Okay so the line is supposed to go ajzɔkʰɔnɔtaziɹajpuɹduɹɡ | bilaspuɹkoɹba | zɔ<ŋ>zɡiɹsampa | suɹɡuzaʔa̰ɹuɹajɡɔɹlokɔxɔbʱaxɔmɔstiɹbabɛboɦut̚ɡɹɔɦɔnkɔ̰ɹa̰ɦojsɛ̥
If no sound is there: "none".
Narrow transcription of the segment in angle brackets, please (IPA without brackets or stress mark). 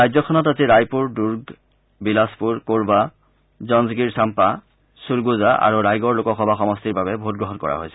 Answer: n